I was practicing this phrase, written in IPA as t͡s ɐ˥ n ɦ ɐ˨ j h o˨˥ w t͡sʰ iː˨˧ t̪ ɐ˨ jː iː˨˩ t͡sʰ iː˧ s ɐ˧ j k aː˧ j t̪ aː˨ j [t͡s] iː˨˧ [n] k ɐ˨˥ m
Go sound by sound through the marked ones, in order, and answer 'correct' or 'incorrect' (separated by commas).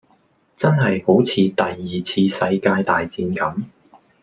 correct, correct